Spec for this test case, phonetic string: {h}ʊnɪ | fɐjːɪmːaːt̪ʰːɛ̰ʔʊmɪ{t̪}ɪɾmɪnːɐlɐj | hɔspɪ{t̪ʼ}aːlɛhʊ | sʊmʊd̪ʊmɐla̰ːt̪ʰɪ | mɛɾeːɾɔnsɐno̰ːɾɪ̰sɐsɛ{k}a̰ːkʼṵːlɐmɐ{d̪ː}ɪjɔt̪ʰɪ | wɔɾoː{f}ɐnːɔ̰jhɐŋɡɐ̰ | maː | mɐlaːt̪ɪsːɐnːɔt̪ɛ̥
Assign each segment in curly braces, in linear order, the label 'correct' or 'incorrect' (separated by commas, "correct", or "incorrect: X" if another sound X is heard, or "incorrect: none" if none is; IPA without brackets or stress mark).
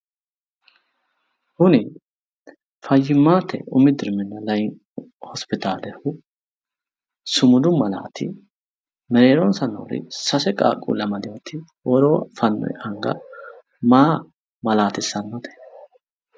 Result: correct, incorrect: d̪, incorrect: t̪, incorrect: kʼ, incorrect: d̪, correct